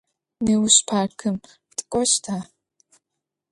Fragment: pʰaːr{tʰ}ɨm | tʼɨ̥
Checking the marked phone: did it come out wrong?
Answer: yes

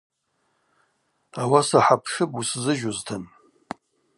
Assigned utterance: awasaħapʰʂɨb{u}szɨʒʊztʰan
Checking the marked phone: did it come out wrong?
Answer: no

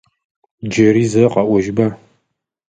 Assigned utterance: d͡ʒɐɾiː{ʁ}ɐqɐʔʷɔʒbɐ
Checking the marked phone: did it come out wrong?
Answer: yes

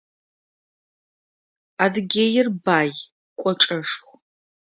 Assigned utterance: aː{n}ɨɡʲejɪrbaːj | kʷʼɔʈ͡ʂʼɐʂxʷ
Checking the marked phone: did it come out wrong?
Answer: yes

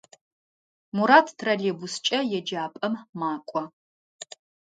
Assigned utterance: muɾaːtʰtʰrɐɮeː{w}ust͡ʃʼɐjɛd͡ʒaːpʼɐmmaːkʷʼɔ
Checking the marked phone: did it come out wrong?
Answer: yes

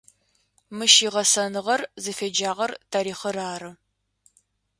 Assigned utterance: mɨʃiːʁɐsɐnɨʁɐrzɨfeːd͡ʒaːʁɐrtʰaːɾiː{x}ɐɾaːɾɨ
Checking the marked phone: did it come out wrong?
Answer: yes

